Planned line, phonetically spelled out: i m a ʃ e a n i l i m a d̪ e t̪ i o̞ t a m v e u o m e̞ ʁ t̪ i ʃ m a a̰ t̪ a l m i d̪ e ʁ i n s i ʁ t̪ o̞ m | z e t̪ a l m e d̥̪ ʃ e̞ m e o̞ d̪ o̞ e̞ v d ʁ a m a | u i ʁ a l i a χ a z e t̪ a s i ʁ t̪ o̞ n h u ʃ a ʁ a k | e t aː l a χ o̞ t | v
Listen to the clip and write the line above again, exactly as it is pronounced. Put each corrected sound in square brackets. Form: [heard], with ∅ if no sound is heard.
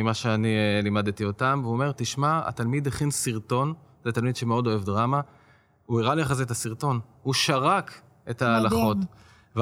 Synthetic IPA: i m a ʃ e a n i l i m a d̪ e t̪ i o̞ t a m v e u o m e̞ ʁ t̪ i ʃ m a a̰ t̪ a l m i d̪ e [χ] i n s i ʁ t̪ o̞ [n] | z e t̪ a l m [i] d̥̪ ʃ e̞ m e o̞ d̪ o̞ e̞ v d ʁ a m a | u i ʁ a l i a χ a z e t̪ a s i ʁ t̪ o̞ n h u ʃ a ʁ a k | e t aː l a χ o̞ t | v